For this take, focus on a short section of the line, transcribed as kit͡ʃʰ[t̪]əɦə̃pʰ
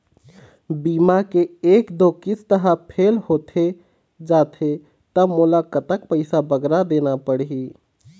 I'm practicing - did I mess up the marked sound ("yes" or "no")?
no